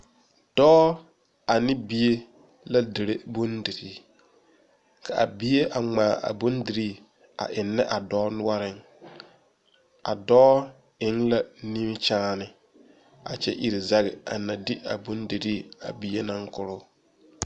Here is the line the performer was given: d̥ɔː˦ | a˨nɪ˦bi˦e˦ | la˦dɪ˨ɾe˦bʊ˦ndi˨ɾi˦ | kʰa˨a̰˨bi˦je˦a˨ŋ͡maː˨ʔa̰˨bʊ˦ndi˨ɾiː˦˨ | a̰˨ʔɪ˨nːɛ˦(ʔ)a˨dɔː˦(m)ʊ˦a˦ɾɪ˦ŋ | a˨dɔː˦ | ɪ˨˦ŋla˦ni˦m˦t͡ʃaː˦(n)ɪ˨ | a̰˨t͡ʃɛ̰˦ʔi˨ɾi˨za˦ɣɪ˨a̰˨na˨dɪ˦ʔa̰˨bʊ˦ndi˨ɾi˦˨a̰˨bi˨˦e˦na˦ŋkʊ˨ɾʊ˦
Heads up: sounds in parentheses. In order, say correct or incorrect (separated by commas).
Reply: correct, incorrect, correct